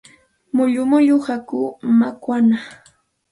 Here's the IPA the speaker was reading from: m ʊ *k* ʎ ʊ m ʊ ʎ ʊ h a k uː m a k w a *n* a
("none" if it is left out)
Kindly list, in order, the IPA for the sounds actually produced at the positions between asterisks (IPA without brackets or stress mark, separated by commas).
none, n